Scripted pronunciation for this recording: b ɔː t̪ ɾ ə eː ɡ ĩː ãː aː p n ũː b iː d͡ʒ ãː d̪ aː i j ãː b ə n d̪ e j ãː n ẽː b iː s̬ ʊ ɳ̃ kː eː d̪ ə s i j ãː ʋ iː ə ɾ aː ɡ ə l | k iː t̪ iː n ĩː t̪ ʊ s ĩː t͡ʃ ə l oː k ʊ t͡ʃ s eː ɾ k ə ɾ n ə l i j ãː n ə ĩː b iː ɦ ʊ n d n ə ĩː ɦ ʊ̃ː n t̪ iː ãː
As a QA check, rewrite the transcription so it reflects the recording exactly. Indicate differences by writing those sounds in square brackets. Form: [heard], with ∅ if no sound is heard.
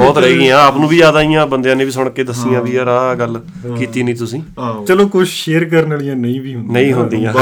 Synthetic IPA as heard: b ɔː t̪ ɾ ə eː ɡ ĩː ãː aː p n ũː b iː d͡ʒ [aː] d̪ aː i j ãː b ə n d̪ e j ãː n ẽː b iː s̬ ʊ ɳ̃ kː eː d̪ ə s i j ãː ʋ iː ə ɾ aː ɡ ə l | k iː t̪ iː n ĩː t̪ ʊ s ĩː t͡ʃ ə l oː k ʊ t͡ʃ [ʃ] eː ɾ k ə ɾ n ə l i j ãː n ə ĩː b iː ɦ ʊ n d n ə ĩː ɦ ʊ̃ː n [d̪] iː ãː